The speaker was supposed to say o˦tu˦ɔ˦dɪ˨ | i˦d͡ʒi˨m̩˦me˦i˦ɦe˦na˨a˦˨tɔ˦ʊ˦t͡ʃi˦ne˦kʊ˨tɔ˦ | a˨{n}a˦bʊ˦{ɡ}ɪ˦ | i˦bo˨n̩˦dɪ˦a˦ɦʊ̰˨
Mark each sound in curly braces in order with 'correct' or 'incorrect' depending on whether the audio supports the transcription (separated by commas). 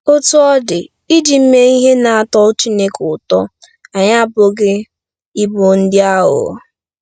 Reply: incorrect, correct